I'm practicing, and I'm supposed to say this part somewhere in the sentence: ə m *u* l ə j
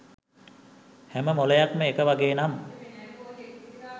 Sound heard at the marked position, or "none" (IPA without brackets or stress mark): o